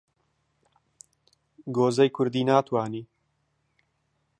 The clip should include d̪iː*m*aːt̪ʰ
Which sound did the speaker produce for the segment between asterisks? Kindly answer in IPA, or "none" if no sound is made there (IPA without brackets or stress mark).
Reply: n